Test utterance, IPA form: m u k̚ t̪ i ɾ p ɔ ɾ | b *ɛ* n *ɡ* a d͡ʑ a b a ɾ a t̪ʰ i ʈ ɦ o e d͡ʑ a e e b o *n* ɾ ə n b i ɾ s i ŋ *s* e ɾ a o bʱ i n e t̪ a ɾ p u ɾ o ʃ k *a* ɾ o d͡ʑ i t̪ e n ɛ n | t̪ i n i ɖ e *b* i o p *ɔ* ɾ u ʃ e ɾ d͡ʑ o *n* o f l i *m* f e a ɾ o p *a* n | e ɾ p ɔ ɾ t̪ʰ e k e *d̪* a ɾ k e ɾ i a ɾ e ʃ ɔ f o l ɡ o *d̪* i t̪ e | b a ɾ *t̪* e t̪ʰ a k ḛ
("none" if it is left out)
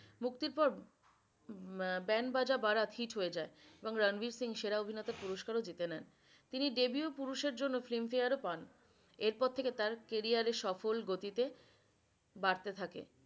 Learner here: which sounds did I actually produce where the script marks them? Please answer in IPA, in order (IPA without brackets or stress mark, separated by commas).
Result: ɛ, b, ŋ, ʃ, a, b, u, nː, m, a, t̪, t̪, t̪